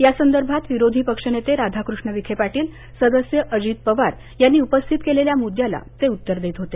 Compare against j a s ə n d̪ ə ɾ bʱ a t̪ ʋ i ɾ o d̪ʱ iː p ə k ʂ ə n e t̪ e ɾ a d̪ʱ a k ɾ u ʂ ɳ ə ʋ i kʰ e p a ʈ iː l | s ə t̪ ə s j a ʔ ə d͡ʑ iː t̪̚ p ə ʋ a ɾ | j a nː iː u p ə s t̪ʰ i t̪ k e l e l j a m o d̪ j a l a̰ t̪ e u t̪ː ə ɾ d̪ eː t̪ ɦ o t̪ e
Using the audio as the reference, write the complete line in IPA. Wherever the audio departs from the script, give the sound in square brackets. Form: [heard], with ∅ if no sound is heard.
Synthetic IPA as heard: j a s ə n d̪ ə ɾ bʱ a t̪ ʋ i ɾ o d̪ʱ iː p ə k ʂ ə n e t̪ e ɾ a d̪ʱ a k ɾ u ʂ ɳ ə ʋ i kʰ e p a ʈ iː l | s ə [d̪] ə s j [ə] ʔ ə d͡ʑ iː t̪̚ p ə ʋ a ɾ | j a nː iː u p ə s t̪ʰ i t̪ k e l e l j a m [u] d̪ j a l a̰ t̪ e u t̪ː ə ɾ d̪ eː t̪ ɦ o t̪ e

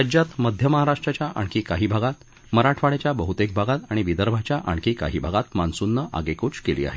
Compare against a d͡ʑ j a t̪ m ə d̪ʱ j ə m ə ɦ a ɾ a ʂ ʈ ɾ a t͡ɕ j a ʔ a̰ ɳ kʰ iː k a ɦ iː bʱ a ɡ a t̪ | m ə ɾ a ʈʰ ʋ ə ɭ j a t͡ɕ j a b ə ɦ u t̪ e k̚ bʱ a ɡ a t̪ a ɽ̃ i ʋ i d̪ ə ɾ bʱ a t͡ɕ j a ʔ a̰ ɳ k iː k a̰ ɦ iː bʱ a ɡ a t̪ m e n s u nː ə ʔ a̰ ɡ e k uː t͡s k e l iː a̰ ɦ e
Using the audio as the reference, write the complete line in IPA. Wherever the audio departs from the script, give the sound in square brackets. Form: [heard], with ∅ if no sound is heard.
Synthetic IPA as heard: a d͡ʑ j a t̪ m ə d̪ʱ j ə m ə ɦ a ɾ a ʂ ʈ ɾ a t͡ɕ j a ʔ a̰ ɳ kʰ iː k a ɦ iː bʱ a ɡ a t̪ | m ə ɾ a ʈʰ ʋ [a] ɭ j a t͡ɕ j a b ə ɦ u t̪ e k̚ bʱ a ɡ a t̪ a ɽ̃ i ʋ i d̪ ə ɾ bʱ a t͡ɕ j a ʔ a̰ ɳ k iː k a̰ ɦ iː bʱ a ɡ a t̪ m [a] n s u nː ə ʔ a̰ ɡ e k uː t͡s k e l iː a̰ ɦ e

